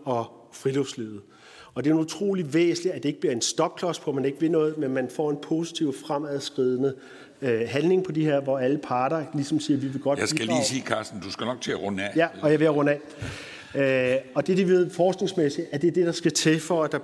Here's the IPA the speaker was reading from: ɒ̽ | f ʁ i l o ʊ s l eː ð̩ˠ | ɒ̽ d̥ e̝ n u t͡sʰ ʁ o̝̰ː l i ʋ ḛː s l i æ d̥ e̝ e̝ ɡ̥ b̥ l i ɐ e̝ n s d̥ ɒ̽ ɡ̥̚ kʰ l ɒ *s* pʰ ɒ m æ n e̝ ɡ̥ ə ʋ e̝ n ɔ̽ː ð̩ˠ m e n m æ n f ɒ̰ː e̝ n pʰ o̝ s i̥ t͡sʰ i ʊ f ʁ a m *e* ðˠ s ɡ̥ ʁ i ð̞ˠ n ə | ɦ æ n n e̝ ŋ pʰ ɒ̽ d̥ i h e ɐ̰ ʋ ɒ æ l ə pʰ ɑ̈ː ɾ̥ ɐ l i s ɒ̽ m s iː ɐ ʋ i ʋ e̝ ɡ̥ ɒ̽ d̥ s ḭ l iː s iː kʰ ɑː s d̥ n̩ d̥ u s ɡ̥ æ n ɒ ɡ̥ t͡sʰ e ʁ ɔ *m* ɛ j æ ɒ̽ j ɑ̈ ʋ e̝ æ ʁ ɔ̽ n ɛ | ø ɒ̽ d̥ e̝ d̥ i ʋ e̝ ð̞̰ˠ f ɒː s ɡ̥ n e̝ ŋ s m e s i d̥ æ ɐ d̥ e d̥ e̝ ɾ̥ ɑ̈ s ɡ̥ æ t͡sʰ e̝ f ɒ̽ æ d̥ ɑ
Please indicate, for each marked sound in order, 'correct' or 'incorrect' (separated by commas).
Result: correct, incorrect, incorrect